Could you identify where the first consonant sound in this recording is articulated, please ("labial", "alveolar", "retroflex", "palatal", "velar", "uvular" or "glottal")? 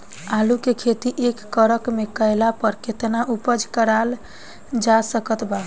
alveolar